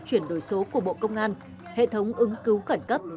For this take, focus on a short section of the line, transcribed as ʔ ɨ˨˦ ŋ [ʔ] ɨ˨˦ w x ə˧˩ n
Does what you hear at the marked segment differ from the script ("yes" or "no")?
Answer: yes